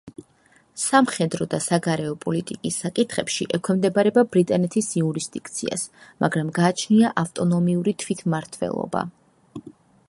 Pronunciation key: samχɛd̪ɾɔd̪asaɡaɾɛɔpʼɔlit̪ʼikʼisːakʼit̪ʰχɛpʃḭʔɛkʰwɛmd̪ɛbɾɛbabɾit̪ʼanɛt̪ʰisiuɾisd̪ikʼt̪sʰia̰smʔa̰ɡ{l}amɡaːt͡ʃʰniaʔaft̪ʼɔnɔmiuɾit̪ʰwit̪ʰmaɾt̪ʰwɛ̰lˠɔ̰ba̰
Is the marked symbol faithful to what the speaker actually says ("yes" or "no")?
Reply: no